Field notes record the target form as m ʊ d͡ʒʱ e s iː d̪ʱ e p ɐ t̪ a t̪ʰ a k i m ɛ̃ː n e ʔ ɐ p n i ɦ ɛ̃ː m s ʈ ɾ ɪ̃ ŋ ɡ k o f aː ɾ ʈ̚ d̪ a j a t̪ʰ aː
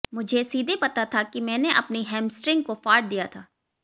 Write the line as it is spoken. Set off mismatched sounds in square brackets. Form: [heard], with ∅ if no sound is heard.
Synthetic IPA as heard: m ʊ d͡ʒʱ e s iː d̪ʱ e p ɐ t̪ a t̪ʰ a k i m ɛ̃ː n e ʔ ɐ p n i ɦ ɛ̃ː m s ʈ ɾ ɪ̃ ŋ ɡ k o f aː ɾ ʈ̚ d̪ [i] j a t̪ʰ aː